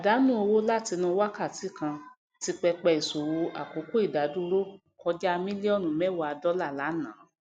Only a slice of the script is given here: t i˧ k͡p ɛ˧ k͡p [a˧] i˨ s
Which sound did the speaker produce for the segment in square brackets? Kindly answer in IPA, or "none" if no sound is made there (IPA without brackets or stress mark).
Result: ɛ˧